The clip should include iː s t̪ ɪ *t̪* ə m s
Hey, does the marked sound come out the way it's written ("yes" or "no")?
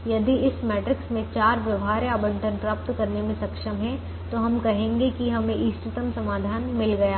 yes